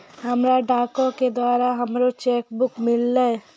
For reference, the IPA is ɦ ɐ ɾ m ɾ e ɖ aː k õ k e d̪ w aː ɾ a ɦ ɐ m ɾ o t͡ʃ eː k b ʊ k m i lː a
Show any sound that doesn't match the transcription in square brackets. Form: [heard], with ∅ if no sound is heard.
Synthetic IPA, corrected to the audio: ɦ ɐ [∅] m ɾ [a] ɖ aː k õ k e d̪ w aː ɾ a ɦ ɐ m ɾ o t͡ʃ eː k b ʊ k m [ɪ] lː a